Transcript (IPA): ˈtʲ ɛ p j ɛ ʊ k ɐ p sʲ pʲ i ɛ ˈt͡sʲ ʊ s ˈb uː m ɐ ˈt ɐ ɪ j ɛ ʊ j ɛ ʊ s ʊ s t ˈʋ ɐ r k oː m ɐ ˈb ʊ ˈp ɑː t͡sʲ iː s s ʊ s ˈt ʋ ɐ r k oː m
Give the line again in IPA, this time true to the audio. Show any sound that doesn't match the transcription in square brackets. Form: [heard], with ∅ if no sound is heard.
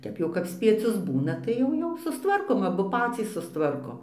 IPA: ˈtʲ ɛ p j ɛ ʊ k ɐ p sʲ pʲ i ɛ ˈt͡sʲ ʊ s ˈb uː [n] ɐ ˈt ɐ ɪ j ɛ ʊ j ɛ ʊ s ʊ s t ˈʋ ɐ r k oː m ɐ ˈb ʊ ˈp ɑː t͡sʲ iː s s ʊ s ˈt ʋ ɐ r k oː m

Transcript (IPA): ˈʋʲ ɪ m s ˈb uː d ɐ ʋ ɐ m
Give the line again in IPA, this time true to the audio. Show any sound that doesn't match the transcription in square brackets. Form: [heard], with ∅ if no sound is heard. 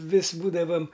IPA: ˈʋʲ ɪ [∅] s ˈb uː d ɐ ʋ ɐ m

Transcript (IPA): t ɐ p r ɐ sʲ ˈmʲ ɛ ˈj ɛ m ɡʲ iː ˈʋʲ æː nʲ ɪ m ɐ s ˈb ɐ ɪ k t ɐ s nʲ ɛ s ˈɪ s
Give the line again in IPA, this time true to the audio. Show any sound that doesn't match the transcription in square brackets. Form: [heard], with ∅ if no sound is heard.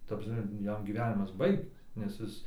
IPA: t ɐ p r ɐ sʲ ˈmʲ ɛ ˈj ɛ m ɡʲ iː ˈʋʲ æː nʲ ɪ m ɐ s ˈb ɐ ɪ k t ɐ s nʲ ɛ s ˈɪ s

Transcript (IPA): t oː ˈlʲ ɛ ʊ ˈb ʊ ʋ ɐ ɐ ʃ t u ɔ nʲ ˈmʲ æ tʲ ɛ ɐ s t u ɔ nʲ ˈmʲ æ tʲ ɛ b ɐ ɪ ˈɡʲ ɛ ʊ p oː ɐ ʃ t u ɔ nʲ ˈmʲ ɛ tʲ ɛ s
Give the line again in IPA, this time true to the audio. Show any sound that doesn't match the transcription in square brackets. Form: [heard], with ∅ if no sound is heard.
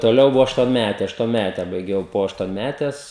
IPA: t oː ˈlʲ ɛ ʊ ˈb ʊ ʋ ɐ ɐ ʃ t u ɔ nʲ ˈmʲ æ tʲ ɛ ɐ [ʃ] t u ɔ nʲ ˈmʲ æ tʲ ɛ b ɐ ɪ ˈɡʲ ɛ ʊ p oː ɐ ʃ t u ɔ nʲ ˈmʲ [æ] tʲ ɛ s

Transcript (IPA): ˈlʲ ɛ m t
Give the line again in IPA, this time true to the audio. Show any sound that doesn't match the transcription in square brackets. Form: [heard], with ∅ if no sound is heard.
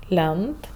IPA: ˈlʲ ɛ [n] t

